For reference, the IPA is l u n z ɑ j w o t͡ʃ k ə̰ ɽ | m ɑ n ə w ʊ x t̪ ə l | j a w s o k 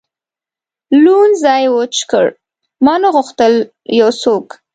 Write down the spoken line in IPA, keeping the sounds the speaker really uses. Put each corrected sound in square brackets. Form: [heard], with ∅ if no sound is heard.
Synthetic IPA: l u n z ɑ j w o t͡ʃ k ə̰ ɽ | m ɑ n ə [ɣ] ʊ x t̪ ə l | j a w s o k